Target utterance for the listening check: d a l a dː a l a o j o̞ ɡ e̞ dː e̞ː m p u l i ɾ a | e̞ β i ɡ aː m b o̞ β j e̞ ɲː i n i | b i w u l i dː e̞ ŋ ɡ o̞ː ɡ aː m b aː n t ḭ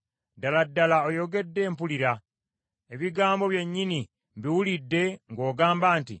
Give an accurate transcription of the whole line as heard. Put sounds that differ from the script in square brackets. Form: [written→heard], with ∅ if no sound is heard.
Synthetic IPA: d a l a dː a l a o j o̞ ɡ e̞ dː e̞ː m p u l i ɾ a | e̞ β i ɡ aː m b o̞ β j e̞ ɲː i n i | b i w u l i dː e̞ ŋ ɡ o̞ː ɡ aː m b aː n t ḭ